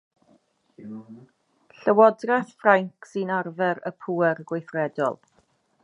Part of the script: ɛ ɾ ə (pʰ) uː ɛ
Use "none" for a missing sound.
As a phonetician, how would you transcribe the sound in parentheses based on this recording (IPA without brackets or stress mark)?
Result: pʰ